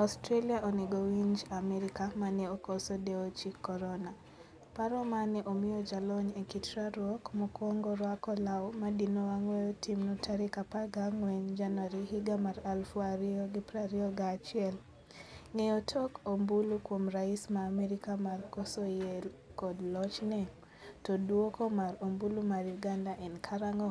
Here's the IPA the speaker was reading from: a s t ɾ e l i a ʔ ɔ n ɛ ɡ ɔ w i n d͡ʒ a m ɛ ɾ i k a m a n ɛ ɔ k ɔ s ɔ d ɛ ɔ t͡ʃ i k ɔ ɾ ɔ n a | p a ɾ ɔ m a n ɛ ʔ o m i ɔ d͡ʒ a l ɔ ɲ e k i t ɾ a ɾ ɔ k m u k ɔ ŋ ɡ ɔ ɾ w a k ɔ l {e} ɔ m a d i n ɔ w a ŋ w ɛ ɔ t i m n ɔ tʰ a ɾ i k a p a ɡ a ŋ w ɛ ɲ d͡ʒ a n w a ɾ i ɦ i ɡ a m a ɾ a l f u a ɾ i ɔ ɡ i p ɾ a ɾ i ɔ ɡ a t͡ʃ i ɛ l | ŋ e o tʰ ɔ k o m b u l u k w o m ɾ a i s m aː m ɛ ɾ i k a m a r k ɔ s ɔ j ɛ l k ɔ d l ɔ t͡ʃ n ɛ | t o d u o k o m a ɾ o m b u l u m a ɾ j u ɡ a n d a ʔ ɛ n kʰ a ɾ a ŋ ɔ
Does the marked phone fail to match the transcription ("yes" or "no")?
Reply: yes